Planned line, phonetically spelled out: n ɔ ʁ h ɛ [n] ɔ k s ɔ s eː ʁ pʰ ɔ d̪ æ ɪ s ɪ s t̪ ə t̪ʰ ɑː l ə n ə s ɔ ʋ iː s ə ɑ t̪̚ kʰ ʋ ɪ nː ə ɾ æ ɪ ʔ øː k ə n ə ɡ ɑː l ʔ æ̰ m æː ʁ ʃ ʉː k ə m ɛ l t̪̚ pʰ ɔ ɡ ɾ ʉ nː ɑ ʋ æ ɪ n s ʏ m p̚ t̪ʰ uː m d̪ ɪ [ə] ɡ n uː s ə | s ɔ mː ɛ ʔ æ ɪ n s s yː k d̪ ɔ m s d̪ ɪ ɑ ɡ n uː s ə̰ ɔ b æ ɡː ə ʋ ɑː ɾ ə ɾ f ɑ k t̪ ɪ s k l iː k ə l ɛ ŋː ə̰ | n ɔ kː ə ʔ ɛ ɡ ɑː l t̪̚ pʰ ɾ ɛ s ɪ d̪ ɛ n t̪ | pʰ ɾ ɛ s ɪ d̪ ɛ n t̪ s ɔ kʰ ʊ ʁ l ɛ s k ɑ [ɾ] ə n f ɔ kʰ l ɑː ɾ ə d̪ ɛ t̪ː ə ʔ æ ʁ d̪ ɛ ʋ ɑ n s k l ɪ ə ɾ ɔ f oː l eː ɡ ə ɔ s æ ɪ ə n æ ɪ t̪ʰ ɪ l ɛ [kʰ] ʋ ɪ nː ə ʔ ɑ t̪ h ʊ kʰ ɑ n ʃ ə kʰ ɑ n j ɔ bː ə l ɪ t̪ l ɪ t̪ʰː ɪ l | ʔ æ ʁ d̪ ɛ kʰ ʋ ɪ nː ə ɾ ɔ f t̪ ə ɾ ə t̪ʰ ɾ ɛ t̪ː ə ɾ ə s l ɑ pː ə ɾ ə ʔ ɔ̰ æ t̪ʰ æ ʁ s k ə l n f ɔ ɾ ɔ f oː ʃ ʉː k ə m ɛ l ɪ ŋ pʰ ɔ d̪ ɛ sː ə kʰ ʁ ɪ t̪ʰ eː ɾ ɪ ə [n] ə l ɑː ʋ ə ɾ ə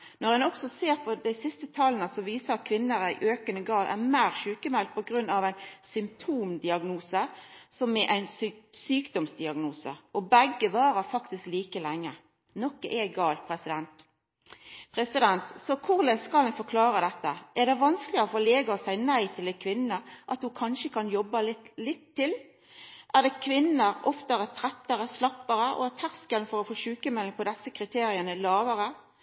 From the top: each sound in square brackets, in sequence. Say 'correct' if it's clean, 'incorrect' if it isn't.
correct, incorrect, incorrect, correct, correct

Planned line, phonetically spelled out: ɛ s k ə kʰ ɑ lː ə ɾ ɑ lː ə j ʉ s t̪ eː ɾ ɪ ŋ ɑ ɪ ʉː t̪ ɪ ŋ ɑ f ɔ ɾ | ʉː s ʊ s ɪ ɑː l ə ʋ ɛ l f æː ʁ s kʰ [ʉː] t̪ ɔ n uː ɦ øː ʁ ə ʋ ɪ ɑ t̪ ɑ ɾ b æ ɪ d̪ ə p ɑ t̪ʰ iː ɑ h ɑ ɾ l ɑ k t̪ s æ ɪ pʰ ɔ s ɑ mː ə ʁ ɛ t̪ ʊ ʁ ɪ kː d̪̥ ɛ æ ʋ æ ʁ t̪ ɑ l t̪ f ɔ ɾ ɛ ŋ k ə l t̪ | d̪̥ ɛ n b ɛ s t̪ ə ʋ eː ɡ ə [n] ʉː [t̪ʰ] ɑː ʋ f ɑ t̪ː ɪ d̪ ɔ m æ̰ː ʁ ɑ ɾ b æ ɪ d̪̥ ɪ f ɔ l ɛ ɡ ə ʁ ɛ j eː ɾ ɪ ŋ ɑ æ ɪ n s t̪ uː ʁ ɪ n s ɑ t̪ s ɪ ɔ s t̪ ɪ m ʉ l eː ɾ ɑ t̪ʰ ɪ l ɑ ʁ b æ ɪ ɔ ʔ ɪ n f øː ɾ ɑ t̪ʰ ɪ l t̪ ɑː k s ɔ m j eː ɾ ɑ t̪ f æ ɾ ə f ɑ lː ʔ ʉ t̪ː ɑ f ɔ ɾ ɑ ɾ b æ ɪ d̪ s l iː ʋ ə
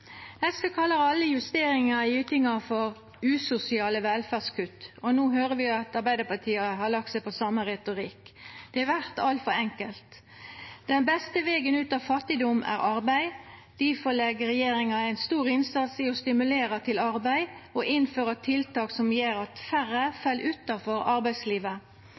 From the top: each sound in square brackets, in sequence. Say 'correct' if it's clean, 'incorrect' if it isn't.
incorrect, correct, incorrect

